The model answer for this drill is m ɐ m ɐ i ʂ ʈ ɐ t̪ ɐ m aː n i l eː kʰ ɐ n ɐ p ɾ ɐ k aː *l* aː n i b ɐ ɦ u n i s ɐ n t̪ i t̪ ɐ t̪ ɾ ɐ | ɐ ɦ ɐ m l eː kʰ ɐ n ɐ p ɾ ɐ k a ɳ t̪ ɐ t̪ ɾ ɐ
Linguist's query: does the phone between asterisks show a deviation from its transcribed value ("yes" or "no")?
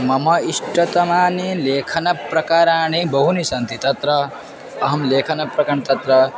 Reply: yes